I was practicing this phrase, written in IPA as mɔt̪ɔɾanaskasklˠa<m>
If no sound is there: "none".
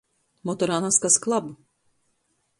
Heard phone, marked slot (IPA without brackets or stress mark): b